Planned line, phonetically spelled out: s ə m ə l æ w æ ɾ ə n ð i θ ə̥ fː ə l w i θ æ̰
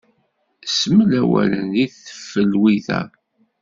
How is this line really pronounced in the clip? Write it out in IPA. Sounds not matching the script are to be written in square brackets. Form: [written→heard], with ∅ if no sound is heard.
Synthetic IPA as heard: s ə m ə l æ w æ [ɾ→l] ə n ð i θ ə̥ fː ə l w i θ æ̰